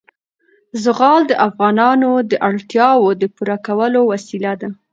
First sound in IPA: z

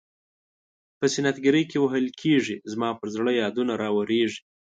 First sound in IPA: p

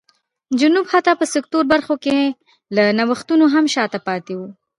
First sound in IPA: d͡ʒ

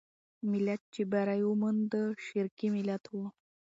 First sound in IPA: m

